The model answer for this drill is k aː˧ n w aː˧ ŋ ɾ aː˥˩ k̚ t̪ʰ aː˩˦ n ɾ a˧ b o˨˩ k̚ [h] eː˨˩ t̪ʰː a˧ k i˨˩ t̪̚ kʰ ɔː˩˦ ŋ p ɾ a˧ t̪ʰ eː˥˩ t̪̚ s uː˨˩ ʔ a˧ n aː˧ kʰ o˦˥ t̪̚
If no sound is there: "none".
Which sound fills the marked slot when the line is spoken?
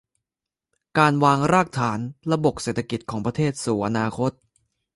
s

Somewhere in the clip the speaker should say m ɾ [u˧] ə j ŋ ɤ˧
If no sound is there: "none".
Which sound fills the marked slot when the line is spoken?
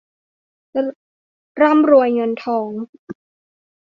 u˧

